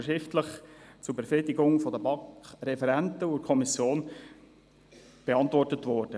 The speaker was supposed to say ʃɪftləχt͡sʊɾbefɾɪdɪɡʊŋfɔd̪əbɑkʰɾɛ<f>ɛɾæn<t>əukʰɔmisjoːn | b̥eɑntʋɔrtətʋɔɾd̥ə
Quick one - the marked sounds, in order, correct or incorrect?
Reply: correct, correct

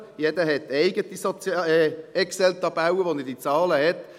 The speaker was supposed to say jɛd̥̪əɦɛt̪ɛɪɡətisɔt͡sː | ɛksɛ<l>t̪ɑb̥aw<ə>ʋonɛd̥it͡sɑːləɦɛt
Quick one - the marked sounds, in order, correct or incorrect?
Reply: correct, correct

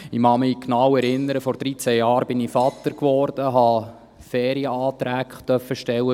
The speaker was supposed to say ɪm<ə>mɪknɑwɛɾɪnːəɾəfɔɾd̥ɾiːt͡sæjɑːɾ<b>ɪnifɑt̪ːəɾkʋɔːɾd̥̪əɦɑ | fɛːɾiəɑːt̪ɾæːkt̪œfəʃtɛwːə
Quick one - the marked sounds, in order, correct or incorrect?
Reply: incorrect, correct

